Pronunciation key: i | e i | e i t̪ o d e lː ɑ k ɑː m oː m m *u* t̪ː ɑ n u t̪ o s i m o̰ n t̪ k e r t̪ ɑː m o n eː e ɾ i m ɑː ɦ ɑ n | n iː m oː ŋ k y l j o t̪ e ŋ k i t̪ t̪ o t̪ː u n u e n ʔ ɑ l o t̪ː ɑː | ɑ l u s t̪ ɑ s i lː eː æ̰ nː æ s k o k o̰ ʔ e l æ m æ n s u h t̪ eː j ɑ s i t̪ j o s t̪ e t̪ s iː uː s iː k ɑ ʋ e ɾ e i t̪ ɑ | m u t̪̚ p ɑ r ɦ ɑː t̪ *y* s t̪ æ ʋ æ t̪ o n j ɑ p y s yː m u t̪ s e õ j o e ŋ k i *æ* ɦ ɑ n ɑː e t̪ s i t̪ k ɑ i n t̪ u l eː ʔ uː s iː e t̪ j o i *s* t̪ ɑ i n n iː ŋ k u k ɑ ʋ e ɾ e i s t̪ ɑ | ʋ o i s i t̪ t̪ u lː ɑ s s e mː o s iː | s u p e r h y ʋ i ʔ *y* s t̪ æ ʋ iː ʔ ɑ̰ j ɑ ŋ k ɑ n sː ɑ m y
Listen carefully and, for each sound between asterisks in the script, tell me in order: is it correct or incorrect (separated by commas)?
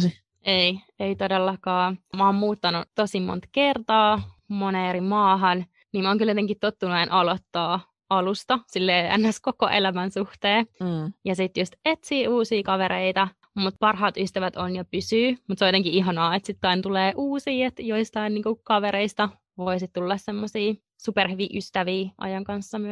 incorrect, correct, incorrect, correct, correct